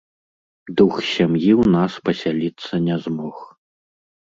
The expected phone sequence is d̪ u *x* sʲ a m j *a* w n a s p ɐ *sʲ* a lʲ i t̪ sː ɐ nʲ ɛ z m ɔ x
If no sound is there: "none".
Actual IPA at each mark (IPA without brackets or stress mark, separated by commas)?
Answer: x, i, sʲ